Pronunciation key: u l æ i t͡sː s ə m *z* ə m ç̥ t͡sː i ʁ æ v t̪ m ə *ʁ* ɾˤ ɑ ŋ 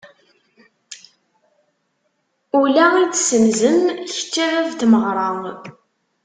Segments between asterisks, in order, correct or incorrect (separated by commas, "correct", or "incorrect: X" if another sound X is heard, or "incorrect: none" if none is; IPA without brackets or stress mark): correct, correct